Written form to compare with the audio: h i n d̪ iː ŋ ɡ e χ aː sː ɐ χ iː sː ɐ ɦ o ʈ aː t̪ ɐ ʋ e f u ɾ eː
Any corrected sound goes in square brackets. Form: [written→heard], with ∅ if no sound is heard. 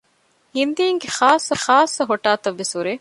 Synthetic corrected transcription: h i n d̪ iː ŋ ɡ e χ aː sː ɐ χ [iː→aː] sː ɐ ɦ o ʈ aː t̪ ɐ [ʋ→ʋː] e [f→s] u ɾ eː

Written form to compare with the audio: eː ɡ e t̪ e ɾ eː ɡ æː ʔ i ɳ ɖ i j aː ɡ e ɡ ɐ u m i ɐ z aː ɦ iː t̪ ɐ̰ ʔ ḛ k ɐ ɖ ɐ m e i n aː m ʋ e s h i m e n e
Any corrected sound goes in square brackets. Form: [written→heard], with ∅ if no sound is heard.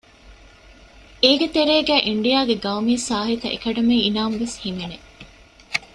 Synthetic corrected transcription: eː ɡ e t̪ e ɾ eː ɡ æː ʔ i ɳ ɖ i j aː ɡ e ɡ ɐ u m i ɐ [z→s] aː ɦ [iː→i] t̪ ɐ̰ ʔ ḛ k ɐ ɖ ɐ m e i n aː m ʋ e s h i m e n e

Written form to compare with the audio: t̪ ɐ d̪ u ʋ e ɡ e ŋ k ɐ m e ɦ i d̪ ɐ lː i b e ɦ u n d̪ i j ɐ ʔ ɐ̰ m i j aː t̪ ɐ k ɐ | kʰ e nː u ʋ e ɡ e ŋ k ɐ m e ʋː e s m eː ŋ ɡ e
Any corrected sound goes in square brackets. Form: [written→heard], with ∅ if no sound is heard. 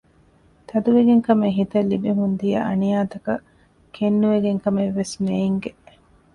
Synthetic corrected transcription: t̪ ɐ d̪ u ʋ e ɡ e ŋ k ɐ m e ɦ i [d̪→t̪] ɐ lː i b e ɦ u n d̪ i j ɐ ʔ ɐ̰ [m→n] i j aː t̪ ɐ k ɐ | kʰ e nː u ʋ e ɡ e ŋ k ɐ m e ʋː e s m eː ŋ ɡ e

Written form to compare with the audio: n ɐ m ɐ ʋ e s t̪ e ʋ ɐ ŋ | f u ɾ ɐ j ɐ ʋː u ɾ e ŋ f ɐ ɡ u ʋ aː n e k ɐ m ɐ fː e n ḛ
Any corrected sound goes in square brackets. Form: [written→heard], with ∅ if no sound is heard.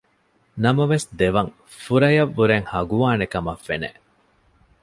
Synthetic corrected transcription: n ɐ m ɐ ʋ e s [t̪→d̪] e ʋ ɐ ŋ | f u ɾ ɐ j ɐ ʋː u ɾ e ŋ [f→h] ɐ ɡ u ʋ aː n e k ɐ m ɐ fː e n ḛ

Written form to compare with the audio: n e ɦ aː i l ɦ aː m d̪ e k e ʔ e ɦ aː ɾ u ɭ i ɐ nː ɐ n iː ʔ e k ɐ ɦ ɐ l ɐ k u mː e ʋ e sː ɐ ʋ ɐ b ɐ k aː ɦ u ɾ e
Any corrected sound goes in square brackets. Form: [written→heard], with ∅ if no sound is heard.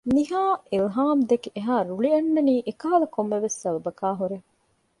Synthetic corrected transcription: n [e→i] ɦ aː i l ɦ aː m d̪ e k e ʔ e ɦ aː ɾ u ɭ i ɐ nː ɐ n iː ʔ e k ɐ ɦ ɐ l ɐ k [u→o] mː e ʋ e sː ɐ ʋ ɐ b ɐ k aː ɦ u ɾ e

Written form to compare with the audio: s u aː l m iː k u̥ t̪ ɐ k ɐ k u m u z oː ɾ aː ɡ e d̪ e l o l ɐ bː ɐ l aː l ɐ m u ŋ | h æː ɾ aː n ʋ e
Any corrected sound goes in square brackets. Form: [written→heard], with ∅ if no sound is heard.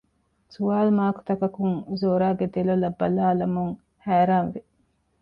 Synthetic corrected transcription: s u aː l m [iː→aː] k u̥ t̪ ɐ k ɐ k u [m→ŋ] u z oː ɾ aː ɡ e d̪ e l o l ɐ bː ɐ l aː l ɐ m u ŋ | h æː ɾ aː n ʋ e

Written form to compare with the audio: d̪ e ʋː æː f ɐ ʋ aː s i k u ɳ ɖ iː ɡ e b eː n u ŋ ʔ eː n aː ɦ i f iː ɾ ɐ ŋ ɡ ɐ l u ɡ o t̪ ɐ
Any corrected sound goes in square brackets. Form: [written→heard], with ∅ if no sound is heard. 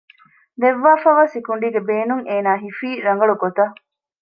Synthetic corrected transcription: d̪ e ʋː [æː→aː] f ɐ ʋ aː s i k u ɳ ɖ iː ɡ e b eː n u ŋ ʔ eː n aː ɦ i f iː ɾ ɐ ŋ ɡ ɐ [l→ɭ] u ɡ o t̪ ɐ

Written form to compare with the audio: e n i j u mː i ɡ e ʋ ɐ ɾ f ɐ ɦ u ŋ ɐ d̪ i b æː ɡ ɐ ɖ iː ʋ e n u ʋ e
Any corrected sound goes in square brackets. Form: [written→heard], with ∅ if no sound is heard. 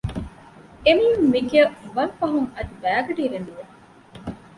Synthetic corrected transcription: e [n→m] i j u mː i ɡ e ʋ ɐ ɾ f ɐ ɦ u ŋ ɐ d̪ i b æː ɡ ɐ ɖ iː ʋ e n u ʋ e

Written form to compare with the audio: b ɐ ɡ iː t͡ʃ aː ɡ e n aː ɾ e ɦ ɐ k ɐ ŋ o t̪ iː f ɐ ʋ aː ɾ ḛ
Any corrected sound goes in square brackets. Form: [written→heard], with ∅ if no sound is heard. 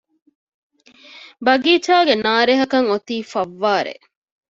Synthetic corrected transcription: b ɐ ɡ iː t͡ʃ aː ɡ e n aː ɾ e ɦ ɐ k ɐ ŋ o t̪ iː f ɐ [ʋ→ʋː] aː ɾ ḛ

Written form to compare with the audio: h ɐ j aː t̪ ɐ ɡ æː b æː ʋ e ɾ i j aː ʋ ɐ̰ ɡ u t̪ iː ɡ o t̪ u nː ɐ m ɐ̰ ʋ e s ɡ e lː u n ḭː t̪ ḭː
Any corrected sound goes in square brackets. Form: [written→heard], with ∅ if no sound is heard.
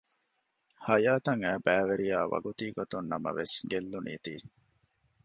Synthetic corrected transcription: h ɐ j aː t̪ ɐ [ɡ→ŋ] æː b æː ʋ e ɾ i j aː ʋ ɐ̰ ɡ u t̪ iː ɡ o t̪ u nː ɐ m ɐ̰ ʋ e s ɡ e lː u n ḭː t̪ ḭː

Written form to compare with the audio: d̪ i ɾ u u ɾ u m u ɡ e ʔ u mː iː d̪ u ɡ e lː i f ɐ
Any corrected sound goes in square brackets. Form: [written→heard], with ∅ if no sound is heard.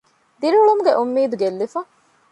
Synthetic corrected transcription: d̪ i ɾ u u [ɾ→ɭ] u m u ɡ e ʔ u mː iː d̪ u ɡ e lː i f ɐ

